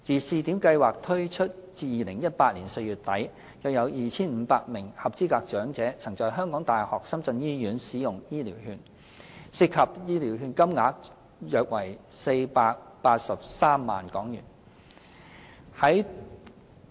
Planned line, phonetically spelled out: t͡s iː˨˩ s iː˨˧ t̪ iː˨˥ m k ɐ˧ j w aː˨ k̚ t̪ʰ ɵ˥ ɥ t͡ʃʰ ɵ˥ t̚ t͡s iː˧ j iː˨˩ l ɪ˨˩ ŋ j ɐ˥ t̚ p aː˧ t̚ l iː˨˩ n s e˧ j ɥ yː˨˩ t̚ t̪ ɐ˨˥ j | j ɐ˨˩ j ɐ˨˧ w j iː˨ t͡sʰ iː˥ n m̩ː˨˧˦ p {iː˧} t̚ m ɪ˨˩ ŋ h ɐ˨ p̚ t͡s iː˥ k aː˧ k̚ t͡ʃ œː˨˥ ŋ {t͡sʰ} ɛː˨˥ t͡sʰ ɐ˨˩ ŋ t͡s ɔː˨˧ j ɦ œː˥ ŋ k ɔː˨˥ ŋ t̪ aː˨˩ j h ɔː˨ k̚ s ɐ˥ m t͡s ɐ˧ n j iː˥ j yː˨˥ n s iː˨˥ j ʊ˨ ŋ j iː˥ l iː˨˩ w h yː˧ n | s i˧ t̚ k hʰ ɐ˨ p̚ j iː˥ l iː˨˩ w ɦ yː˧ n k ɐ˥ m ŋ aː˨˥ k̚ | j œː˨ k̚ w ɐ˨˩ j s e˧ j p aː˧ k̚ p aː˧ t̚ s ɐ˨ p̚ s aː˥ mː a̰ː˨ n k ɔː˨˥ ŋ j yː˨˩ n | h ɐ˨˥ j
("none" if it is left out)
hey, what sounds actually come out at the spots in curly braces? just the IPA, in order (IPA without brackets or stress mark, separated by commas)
aː˧, t͡s